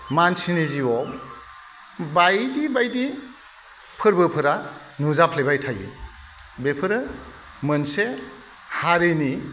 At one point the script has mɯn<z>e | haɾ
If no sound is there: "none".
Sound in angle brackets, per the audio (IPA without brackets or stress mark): s